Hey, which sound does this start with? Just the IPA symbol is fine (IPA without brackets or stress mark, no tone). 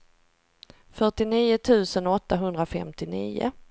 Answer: f